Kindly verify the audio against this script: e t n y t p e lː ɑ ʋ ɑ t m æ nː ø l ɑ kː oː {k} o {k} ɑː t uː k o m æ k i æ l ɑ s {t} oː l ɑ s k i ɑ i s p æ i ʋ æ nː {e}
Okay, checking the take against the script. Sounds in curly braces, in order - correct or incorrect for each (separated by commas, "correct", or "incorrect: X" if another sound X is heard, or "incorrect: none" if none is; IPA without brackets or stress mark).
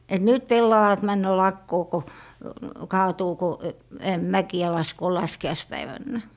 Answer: correct, correct, incorrect: k, incorrect: æ